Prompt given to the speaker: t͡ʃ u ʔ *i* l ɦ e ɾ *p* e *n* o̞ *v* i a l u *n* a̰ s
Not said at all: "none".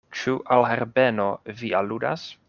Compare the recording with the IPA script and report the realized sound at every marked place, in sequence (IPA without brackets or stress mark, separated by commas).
a, b, n, v, d